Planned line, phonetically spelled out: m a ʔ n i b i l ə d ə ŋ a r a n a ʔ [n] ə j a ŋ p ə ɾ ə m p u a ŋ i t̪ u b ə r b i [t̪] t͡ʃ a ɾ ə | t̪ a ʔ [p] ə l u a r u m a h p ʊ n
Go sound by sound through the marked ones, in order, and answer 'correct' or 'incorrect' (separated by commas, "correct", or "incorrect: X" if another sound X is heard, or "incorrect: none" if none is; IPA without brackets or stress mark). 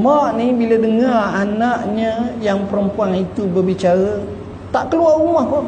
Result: incorrect: ɲ, incorrect: none, incorrect: k